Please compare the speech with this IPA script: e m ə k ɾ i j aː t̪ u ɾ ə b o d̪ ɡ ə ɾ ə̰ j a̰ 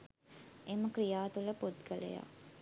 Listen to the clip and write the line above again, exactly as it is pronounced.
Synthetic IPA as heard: e m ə k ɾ i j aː t̪ u l ə p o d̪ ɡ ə l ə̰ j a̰